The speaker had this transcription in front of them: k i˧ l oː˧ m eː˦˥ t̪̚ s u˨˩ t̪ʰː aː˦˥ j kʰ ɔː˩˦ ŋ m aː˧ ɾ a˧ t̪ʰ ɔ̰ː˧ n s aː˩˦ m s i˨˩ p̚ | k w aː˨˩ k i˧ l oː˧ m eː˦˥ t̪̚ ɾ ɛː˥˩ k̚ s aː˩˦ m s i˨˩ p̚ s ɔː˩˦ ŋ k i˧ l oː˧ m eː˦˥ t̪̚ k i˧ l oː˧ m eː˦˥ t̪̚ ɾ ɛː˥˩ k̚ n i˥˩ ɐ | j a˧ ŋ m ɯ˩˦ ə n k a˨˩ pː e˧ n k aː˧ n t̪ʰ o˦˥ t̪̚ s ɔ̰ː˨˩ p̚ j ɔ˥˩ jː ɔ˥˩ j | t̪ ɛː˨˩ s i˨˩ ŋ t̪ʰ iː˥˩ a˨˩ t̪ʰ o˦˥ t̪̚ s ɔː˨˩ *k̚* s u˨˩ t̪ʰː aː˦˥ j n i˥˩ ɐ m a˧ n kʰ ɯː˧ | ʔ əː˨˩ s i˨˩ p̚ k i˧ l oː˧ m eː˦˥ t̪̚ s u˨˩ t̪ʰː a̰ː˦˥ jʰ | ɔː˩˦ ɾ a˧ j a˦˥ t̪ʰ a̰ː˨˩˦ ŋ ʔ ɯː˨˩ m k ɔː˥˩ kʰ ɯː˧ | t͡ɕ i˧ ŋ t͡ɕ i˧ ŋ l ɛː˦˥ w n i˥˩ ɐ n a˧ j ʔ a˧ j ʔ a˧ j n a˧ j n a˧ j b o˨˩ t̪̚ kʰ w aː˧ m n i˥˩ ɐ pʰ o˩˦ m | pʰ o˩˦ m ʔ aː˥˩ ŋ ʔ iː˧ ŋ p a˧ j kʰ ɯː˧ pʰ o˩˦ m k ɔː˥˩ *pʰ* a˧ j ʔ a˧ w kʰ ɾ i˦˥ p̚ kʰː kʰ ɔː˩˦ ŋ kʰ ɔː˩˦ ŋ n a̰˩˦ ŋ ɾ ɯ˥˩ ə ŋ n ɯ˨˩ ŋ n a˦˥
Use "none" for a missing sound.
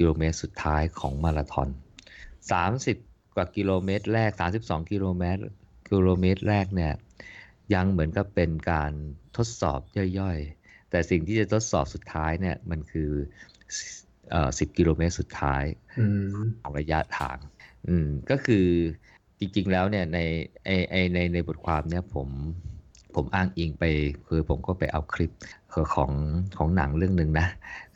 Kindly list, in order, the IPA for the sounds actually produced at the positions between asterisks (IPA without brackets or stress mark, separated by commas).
p̚, p